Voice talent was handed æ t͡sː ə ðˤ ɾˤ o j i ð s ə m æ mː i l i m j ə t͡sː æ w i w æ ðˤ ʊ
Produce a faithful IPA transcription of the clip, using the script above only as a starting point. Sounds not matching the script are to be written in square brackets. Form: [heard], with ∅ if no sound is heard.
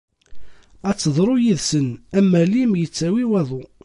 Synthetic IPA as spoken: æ t͡sː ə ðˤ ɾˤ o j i ð s ə [n] æ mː [æ] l i m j ə t͡sː æ w i w æ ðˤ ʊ

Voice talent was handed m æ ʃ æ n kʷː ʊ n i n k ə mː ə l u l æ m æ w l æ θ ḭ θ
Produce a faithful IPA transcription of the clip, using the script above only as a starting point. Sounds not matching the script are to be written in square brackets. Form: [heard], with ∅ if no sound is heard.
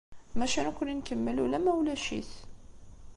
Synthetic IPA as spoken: m æ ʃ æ n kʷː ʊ n i n k ə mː ə l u l æ m æ w l æ [ʃ] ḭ θ

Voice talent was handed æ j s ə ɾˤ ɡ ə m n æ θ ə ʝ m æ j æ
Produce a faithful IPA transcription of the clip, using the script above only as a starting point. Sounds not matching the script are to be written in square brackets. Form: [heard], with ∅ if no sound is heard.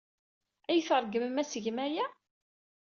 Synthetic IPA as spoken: æ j [θ] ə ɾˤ ɡ ə m [m] æ [s] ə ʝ m æ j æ

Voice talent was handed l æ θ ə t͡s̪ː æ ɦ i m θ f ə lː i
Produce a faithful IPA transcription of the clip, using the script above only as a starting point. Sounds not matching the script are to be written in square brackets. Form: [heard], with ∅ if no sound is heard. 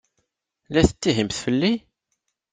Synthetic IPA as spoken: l æ θ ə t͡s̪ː [i] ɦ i m θ f ə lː i

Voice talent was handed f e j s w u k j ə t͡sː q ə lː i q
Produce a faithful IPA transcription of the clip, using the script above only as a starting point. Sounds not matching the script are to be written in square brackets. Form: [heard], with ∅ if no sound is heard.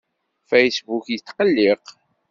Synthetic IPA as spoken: f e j s [b] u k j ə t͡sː q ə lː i q

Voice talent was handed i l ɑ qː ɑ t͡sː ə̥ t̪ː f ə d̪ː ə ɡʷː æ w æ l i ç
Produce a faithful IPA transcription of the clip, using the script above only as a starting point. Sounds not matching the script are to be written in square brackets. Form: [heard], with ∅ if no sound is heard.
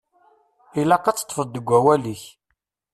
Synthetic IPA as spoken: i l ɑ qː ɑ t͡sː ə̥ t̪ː f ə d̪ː ə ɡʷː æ w æ l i ç

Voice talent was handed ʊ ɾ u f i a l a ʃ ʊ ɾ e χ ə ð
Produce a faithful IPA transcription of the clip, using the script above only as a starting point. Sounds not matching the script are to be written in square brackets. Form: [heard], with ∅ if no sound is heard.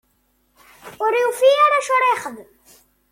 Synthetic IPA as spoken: ʊ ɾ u f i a [ɾ] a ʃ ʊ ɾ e χ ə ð

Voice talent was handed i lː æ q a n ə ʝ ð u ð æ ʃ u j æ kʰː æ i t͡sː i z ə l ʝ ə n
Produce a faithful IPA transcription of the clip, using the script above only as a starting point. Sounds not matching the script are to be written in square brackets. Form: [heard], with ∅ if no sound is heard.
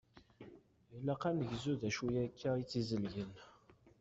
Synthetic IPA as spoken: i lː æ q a n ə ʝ [z] u ð æ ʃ u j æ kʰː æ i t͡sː i z ə l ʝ ə n

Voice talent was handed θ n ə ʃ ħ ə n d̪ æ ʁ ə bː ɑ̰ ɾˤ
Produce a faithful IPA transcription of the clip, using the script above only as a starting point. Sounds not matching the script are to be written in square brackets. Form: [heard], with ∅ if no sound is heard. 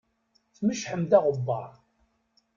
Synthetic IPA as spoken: θ [m] ə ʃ ħ ə [m] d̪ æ ʁ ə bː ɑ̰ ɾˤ

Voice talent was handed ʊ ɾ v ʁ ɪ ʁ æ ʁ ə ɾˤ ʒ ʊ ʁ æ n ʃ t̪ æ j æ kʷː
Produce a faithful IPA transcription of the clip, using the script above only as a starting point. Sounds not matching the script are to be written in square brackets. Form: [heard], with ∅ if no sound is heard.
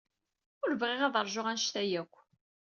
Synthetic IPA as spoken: ʊ ɾ v ʁ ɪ ʁ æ [ð] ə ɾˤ ʒ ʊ ʁ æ n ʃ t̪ æ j æ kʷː

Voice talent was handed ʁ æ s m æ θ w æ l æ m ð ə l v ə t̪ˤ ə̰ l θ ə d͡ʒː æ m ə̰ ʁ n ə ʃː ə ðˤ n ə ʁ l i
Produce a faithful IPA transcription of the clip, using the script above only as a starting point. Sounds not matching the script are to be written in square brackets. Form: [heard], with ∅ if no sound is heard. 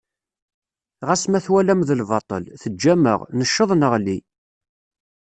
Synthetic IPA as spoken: ʁ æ s m æ θ w æ l æ m ð ə l v [ɑ] t̪ˤ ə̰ l θ ə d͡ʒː æ m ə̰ ʁ n ə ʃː ə ðˤ n ə ʁ l i

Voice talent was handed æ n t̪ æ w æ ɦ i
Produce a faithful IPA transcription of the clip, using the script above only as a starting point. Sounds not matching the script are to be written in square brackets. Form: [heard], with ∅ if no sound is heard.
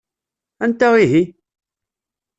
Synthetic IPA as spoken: æ n t̪ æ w [i] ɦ i

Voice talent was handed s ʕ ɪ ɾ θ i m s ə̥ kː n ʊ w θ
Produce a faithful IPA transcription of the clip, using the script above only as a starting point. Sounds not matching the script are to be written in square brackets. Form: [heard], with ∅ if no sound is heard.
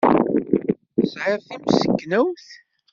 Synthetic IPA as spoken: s ʕ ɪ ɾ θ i m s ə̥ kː n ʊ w θ

